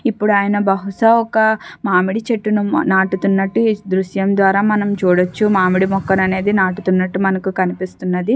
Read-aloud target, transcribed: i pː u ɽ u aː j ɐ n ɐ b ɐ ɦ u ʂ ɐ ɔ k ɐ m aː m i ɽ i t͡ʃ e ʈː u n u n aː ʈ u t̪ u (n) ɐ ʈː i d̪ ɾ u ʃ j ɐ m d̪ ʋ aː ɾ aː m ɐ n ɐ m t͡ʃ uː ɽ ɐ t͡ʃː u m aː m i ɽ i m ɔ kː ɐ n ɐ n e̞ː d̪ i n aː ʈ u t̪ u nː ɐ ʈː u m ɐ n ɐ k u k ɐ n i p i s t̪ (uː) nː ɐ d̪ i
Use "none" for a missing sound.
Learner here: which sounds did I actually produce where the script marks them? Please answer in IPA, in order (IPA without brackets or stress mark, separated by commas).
nː, u